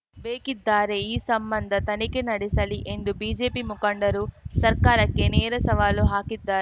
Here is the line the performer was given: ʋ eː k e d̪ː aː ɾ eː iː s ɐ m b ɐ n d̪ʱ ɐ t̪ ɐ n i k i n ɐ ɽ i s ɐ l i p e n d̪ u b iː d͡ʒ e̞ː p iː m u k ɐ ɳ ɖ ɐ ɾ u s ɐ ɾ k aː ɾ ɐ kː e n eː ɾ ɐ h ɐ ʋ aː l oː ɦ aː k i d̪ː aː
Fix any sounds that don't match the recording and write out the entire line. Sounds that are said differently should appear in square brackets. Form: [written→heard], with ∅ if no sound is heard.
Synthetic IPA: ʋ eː k [e→i] d̪ː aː ɾ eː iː s ɐ m b ɐ n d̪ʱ ɐ t̪ ɐ n i k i n ɐ ɽ i s ɐ l i [p→ʔ] e n d̪ u b iː d͡ʒ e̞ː p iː m u k ɐ ɳ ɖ ɐ ɾ u s ɐ ɾ k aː ɾ ɐ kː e n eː ɾ ɐ [h→s] ɐ ʋ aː l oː ɦ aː k i d̪ː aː